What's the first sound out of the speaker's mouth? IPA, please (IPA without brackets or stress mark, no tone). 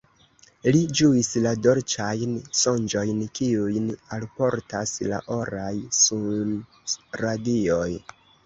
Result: l